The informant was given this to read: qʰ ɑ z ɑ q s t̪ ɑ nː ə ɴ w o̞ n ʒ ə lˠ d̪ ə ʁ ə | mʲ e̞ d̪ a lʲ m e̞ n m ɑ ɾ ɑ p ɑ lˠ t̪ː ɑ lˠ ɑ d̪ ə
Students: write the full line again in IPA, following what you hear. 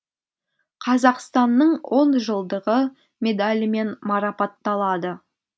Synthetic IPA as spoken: qʰ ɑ z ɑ q s t̪ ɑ nː ə ɴ w o̞ n ʒ ə lˠ d̪ ə ʁ ə | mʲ e̞ d̪ a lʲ m e̞ n m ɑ ɾ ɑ p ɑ t̪ː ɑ lˠ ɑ d̪ ə